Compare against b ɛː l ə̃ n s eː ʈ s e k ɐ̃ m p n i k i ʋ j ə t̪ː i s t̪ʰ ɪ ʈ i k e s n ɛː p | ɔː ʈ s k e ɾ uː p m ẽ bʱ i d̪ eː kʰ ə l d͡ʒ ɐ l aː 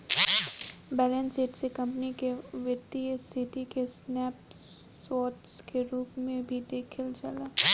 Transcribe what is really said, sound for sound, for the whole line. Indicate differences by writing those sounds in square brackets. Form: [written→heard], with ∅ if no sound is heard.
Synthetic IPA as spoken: b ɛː l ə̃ n s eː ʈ s e k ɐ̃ m p n i k [i→e] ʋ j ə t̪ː i s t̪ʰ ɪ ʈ i k e s n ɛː p | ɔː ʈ s k e ɾ uː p m ẽ bʱ i d̪ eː kʰ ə l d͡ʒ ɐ l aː